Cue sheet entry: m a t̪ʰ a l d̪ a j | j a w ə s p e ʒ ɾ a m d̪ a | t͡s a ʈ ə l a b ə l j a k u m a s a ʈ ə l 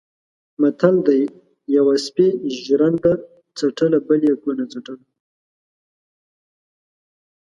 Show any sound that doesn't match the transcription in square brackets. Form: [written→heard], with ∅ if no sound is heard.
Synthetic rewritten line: m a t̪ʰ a l d̪ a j | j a w [ə→a] s p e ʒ ɾ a [m→n] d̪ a | t͡s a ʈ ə l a b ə l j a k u [m→n] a [s→t͡s] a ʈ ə l